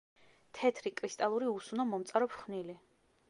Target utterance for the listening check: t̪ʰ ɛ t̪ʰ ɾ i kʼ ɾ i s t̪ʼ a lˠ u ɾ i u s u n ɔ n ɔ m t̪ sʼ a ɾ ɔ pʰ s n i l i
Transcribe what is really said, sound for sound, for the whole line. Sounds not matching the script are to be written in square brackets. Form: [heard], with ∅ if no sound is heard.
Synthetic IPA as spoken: t̪ʰ ɛ t̪ʰ ɾ i kʼ ɾ i s t̪ʼ a lˠ u ɾ i u s u n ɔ [m] ɔ m t̪ sʼ a ɾ ɔ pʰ [χ] n i l i